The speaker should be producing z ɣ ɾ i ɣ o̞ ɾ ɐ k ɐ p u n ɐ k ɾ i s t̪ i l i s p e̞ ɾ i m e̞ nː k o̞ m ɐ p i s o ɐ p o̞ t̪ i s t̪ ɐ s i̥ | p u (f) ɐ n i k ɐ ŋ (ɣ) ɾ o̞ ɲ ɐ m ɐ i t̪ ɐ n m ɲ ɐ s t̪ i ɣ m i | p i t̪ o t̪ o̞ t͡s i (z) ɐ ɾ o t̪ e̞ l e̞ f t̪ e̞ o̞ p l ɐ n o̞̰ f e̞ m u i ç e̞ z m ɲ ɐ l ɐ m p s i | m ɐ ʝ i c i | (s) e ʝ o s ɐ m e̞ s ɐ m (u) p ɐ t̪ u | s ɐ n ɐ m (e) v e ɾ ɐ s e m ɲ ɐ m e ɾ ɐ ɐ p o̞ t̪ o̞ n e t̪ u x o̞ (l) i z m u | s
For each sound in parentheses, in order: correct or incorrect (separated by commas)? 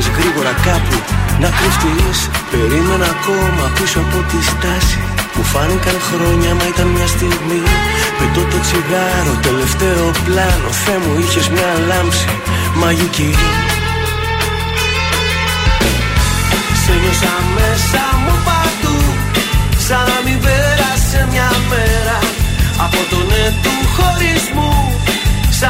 correct, incorrect, incorrect, correct, correct, incorrect, incorrect